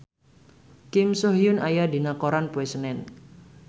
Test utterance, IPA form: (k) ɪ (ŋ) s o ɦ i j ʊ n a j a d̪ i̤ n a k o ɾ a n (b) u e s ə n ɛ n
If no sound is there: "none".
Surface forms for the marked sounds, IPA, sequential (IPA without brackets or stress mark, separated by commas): k, m, p